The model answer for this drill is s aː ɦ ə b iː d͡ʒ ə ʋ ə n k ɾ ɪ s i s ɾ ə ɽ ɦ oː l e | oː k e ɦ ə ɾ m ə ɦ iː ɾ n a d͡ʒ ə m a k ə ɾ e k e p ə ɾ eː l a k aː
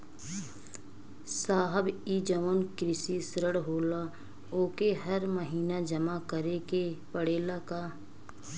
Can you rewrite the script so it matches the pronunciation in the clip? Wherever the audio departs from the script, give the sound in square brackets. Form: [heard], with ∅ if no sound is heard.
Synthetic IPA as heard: s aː ɦ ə b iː d͡ʒ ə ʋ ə n k ɾ ɪ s i s ɾ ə ɽ ɦ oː l [a] | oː k e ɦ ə ɾ m ə ɦ iː [∅] n a d͡ʒ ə m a k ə ɾ e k e p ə [ɽ] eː l a k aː